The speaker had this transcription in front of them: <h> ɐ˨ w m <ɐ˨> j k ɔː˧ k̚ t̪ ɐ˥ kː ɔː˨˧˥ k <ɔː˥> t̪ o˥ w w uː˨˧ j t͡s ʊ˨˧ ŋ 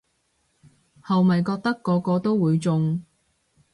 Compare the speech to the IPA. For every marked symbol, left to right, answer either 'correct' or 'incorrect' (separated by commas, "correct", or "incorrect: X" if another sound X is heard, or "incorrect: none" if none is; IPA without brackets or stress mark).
correct, correct, incorrect: ɔː˧